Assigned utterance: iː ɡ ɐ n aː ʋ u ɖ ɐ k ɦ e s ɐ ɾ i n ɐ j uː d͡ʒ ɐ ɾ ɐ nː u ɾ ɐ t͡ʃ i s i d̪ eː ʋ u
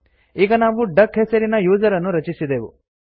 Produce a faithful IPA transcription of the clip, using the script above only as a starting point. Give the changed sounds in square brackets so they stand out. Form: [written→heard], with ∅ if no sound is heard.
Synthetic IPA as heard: iː ɡ ɐ n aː ʋ u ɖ ɐ k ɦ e s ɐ ɾ i n ɐ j uː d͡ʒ ɐ ɾ ɐ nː u ɾ ɐ t͡ʃ i s i d̪ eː ʋ u